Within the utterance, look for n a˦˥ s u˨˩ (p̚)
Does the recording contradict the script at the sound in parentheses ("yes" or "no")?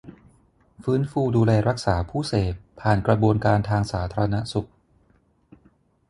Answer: yes